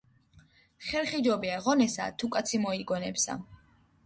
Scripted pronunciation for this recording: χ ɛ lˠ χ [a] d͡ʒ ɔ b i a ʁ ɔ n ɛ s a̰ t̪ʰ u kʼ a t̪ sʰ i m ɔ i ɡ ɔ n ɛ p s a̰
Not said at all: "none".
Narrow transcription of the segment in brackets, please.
i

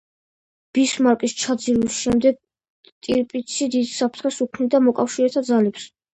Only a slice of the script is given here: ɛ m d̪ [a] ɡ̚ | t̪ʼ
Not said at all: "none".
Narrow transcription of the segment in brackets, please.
ɛ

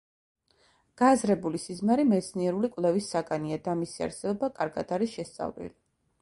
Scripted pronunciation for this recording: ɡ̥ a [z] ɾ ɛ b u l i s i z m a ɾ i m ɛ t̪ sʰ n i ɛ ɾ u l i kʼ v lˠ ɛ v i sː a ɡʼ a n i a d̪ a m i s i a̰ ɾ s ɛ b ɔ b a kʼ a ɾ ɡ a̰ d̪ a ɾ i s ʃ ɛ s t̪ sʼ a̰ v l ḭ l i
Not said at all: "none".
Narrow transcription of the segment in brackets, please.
z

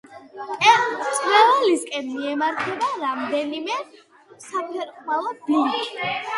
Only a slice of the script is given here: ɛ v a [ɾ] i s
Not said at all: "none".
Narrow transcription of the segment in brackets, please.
l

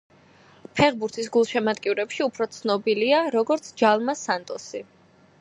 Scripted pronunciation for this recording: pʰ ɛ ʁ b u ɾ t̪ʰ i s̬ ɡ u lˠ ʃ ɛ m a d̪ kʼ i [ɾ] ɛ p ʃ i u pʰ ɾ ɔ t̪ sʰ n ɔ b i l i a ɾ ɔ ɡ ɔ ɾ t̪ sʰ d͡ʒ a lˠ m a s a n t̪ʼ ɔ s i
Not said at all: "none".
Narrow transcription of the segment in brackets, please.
ɾ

